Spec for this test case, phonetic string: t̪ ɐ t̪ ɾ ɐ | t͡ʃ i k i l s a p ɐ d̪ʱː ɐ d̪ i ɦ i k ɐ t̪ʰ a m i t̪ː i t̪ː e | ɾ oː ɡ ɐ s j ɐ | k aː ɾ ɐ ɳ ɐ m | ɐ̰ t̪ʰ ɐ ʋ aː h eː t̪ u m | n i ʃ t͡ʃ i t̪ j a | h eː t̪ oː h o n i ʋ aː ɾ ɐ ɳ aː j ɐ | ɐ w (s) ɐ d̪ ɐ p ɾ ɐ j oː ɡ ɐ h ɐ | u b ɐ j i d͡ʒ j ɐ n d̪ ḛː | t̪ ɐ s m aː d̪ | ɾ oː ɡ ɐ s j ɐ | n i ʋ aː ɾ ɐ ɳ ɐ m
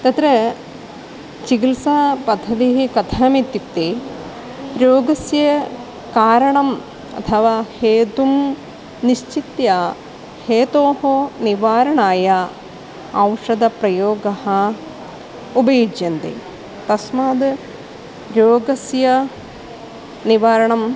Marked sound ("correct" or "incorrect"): incorrect